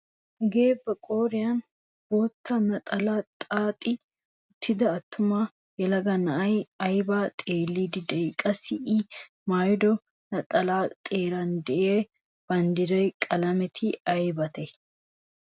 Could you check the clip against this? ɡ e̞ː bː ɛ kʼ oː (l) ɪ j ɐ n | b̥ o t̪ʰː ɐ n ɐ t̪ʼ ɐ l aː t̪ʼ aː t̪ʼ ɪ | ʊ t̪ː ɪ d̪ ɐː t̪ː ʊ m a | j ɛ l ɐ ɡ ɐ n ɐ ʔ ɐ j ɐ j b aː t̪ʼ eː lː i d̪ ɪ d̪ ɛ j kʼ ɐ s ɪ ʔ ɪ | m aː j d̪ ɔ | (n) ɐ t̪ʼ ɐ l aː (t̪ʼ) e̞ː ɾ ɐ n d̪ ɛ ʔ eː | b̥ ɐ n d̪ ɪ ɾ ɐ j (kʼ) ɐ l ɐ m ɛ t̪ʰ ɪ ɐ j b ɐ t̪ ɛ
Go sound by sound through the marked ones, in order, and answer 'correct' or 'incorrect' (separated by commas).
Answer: incorrect, correct, correct, correct